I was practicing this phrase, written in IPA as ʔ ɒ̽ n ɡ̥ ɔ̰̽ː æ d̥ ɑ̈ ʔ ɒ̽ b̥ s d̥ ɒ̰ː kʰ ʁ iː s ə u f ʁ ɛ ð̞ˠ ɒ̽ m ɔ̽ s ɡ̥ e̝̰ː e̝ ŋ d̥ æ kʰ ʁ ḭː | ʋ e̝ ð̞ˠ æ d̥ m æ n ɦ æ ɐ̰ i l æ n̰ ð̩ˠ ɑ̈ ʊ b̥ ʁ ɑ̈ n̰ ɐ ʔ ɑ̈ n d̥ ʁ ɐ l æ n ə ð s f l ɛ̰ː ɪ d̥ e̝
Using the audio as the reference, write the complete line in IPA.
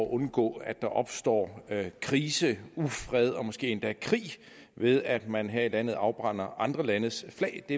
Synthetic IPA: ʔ ɔ̽ n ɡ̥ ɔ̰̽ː æ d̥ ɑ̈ ʔ ɒ̽ b̥ s d̥ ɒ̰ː kʰ ʁ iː s ə u f ʁ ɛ ð̞ˠ ɒ̽ m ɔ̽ s ɡ̥ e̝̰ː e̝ n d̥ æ kʰ ʁ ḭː | ʋ e̝ ð̞ˠ æ d̥ m æ n ɦ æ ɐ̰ i l æ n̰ ð̩ˠ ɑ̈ ʊ b̥ ʁ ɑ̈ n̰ ɐ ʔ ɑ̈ n d̥ ʁ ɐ l æ n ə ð s f l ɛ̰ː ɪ d̥ e̝

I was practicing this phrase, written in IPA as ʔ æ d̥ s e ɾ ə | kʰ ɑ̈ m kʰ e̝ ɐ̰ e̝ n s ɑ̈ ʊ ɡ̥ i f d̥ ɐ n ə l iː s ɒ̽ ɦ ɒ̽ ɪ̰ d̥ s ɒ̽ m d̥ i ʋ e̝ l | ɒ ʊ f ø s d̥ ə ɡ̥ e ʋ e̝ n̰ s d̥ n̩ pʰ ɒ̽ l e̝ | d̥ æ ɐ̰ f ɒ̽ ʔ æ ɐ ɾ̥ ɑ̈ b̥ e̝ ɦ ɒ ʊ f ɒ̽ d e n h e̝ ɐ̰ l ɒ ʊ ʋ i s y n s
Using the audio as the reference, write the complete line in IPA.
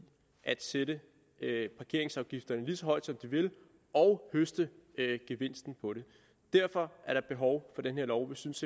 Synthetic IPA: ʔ æ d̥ s e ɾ ə | pʰ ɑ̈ kʰ e̝ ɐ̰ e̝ ŋ s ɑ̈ ʊ ɡ̥ i f d̥ ɐ n ə l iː s ɒ̽ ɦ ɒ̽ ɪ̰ d̥ s ɒ̽ m d̥ i ʋ e̝ l | ɒ ʊ h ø s d̥ ə ɡ̥ e ʋ e̝ n̰ s d̥ n̩ pʰ ɒ̽ ɾ e̝ | d̥ æ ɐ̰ f ɒ̽ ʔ æ ɐ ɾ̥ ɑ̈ b̥ e̝ ɦ ɒ ʊ f ɒ̽ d e n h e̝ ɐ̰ l ɒ ʊ ʋ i s y n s

